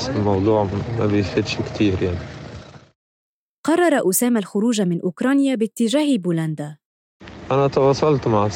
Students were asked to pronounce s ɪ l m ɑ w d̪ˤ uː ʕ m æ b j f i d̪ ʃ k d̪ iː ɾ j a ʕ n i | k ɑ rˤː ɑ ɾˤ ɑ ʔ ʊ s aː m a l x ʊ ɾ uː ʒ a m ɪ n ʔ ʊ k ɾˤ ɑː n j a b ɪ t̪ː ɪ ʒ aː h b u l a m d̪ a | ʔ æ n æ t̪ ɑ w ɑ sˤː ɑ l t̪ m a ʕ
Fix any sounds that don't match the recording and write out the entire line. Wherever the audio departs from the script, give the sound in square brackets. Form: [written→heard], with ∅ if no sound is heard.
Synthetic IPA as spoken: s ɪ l m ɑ w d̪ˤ uː ʕ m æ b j f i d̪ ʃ k [d̪→t̪] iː ɾ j a ʕ n i | [k→q] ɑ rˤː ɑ ɾˤ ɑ ʔ ʊ s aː m a l x ʊ ɾ uː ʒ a m ɪ n ʔ ʊ k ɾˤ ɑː n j a b ɪ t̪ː ɪ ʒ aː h b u l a [m→n] d̪ a | ʔ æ n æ t̪ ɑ w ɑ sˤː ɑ l t̪ m a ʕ